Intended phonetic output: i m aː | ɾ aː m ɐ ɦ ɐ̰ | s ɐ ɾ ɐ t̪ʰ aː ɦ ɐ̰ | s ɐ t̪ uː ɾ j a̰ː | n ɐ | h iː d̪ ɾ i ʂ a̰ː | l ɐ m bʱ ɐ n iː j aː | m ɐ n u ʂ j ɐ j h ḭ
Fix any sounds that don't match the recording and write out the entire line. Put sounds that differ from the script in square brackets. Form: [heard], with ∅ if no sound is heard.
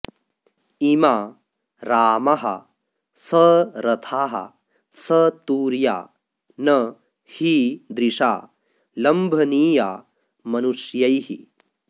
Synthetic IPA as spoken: i m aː | ɾ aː m ɐ ɦ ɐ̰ | s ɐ ɾ ɐ t̪ʰ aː ɦ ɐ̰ | s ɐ t̪ uː ɾ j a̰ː | n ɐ | h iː d̪ ɾ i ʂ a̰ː | l ɐ m bʱ ɐ n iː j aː | m ɐ n u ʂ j ɐ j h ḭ